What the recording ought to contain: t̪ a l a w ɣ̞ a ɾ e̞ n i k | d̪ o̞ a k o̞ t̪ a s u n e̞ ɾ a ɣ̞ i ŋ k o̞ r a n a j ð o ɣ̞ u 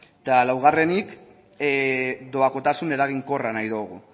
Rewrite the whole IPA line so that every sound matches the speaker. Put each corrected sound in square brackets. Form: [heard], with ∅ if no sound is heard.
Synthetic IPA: t̪ a l a w ɣ̞ a [r] e̞ n i k | d̪ o̞ a k o̞ t̪ a s u n e̞ ɾ a ɣ̞ i ŋ k o̞ r a n a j ð o ɣ̞ u